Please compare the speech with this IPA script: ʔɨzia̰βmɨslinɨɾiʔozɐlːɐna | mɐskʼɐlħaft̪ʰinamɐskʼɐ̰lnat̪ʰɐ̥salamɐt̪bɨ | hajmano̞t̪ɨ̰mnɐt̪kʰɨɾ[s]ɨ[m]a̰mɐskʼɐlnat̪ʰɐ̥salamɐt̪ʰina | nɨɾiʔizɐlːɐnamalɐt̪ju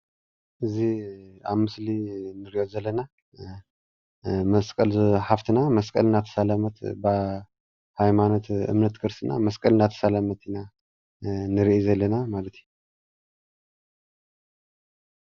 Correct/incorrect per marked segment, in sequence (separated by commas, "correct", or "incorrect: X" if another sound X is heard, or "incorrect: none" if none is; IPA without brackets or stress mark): correct, incorrect: n